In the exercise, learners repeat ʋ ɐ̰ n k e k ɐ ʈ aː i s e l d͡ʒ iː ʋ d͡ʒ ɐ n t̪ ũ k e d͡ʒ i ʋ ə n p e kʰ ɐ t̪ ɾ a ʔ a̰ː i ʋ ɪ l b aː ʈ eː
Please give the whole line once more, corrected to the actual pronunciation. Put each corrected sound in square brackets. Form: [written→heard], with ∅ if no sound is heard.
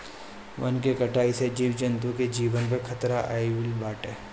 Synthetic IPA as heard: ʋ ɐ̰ n k e k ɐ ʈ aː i s e [l→∅] d͡ʒ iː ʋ d͡ʒ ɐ n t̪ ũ k e d͡ʒ [i→iː] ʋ ə n p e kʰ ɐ t̪ ɾ a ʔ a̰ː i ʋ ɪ l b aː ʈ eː

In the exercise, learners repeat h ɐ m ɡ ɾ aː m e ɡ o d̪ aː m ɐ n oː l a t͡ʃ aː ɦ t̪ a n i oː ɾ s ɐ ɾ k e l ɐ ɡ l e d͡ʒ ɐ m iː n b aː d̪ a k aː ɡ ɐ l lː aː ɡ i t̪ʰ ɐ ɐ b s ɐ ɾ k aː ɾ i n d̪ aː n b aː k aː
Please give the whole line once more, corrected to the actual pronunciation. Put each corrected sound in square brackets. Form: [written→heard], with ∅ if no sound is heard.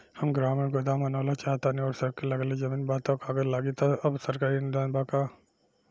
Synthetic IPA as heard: h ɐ m ɡ ɾ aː m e ɡ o d̪ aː m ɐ n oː l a t͡ʃ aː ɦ t̪ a n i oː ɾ s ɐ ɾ k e l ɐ ɡ l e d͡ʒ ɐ m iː n b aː [d̪→t̪] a k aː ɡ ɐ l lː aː ɡ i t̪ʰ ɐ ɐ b s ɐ ɾ k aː ɾ i n d̪ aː n b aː k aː

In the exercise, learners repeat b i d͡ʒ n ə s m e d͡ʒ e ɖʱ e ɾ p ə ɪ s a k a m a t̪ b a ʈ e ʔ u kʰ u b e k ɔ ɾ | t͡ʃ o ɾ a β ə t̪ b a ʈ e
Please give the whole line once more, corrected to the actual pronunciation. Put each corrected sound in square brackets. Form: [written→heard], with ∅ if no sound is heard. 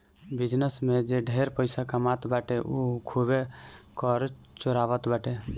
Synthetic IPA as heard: b i d͡ʒ n ə s m e d͡ʒ e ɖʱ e ɾ p ə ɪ s a k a m a t̪ b a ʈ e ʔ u kʰ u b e k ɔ ɾ | t͡ʃ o ɾ a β ə t̪ b a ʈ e

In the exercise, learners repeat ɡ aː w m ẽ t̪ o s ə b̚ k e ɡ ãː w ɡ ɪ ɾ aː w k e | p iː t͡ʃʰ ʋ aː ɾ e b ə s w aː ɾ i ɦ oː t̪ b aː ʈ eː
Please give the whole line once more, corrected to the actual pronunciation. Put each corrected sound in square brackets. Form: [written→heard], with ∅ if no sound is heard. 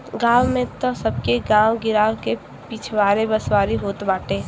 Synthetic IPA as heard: ɡ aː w m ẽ t̪ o s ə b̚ k e ɡ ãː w ɡ ɪ ɾ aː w k e | p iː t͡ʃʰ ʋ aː ɾ e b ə s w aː ɾ i ɦ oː t̪ b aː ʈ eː

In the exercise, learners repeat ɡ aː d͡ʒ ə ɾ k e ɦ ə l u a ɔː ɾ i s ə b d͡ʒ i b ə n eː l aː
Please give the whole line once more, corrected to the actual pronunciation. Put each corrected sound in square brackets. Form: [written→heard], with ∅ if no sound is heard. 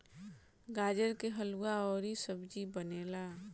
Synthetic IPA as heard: ɡ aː d͡ʒ ə ɾ k e ɦ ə l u a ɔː ɾ i s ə b d͡ʒ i b ə n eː l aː

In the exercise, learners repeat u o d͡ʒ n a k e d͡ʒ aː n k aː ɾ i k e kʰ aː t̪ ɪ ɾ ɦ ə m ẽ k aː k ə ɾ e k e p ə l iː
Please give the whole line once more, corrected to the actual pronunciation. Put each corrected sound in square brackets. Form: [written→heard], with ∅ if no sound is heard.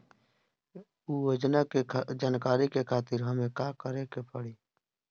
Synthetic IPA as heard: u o d͡ʒ n a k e d͡ʒ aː n k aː ɾ i k e kʰ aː t̪ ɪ ɾ ɦ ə m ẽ k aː k ə ɾ e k e p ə [l→ɽ] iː

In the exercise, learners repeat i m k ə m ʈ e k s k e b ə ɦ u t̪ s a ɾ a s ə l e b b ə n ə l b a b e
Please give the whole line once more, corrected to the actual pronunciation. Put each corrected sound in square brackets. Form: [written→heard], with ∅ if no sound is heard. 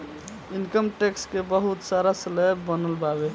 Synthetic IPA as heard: i [m→n] k ə m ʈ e k s k e b ə ɦ u t̪ s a ɾ a s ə l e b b ə n ə l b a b e

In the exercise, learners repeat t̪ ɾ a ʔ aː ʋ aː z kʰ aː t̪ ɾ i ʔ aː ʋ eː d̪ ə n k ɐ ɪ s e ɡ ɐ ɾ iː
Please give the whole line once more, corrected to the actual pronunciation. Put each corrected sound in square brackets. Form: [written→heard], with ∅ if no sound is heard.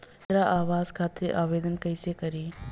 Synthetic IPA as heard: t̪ ɾ a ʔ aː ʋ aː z kʰ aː t̪ ɾ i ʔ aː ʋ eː d̪ ə n k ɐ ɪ s e [ɡ→k] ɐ ɾ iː

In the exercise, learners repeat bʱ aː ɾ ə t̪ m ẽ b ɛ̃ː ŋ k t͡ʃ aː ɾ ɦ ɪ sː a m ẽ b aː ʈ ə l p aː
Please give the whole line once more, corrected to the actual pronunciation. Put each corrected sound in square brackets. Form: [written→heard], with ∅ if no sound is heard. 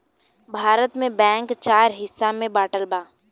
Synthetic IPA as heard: bʱ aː ɾ ə t̪ m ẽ b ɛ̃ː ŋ k t͡ʃ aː ɾ ɦ ɪ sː a m ẽ b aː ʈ ə l [p→b] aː

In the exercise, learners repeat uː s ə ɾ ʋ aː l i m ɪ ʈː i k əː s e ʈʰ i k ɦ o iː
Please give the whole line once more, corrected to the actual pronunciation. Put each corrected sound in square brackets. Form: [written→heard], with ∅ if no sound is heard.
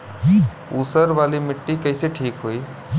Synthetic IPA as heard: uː s ə ɾ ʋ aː l i m ɪ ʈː i k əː s e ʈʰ [i→iː] k ɦ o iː

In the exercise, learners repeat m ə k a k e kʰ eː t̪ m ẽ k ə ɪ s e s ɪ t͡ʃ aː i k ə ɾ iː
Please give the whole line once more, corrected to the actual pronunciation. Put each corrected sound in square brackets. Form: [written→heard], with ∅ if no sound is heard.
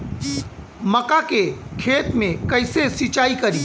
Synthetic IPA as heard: m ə k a k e kʰ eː t̪ m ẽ k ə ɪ s e s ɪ t͡ʃ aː i k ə ɾ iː

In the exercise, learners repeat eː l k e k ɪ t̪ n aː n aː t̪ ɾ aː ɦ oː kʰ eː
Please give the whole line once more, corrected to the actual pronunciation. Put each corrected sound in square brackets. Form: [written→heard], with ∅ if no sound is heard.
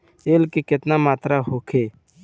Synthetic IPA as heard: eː l k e k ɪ t̪ n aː [n→m] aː t̪ ɾ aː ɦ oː kʰ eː

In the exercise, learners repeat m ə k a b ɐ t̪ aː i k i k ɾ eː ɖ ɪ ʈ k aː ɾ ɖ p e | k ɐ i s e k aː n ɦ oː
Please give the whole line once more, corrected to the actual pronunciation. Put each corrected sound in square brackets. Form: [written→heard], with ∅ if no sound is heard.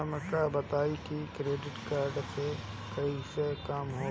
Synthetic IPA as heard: m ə k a b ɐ t̪ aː i k i k ɾ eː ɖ ɪ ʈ k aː ɾ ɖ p e | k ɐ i s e k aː [n→m] ɦ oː

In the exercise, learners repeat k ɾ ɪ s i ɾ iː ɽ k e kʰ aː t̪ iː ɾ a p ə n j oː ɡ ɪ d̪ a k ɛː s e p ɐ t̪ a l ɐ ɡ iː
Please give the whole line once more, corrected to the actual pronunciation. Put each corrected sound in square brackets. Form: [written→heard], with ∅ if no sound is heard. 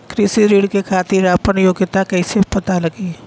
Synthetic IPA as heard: k ɾ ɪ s i ɾ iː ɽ k e kʰ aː t̪ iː ɾ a p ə n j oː ɡ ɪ [d̪→t̪] a k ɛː s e p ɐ t̪ a l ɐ ɡ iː

